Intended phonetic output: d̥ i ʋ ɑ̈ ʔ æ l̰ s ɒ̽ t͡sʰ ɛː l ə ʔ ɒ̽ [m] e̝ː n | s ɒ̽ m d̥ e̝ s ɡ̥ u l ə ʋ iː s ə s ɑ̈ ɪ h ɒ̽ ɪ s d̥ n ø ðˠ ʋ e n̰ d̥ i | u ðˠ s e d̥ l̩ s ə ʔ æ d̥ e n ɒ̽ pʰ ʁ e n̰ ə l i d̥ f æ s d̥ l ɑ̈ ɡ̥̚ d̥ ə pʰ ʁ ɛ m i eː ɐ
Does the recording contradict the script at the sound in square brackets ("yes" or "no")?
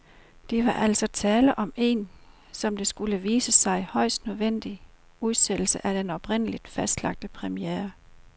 no